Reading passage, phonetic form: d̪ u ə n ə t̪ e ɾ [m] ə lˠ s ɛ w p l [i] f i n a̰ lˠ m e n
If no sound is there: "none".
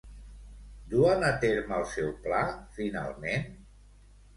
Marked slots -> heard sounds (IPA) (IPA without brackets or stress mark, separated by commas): m, a